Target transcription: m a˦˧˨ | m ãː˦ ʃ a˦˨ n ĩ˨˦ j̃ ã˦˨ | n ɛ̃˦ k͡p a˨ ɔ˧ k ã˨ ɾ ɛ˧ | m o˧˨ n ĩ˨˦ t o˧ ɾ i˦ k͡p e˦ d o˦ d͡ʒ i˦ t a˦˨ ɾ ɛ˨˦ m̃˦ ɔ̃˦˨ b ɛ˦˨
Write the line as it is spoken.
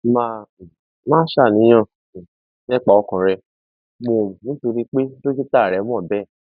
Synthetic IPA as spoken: m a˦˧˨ | m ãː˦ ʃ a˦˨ n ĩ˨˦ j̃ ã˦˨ | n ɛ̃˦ k͡p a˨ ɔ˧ k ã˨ ɾ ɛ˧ | m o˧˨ n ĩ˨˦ t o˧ ɾ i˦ k͡p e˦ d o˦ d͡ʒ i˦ t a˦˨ ɾ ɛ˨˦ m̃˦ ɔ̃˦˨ b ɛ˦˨